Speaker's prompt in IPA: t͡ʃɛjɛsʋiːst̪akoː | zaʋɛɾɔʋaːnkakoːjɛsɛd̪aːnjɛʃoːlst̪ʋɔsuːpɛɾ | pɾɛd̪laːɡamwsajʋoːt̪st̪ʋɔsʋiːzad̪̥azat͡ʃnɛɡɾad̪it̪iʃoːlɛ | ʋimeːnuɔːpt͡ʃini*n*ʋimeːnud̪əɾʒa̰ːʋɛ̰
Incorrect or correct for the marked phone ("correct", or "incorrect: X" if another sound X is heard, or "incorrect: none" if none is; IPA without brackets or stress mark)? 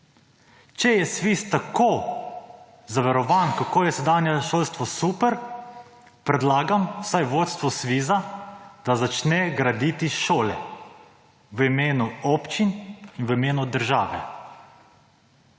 correct